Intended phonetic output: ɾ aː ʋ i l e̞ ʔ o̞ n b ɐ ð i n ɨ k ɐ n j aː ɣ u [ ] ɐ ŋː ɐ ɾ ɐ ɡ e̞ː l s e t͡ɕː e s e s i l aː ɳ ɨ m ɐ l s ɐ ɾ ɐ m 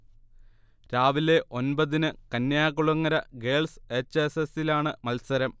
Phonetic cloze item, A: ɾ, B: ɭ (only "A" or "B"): B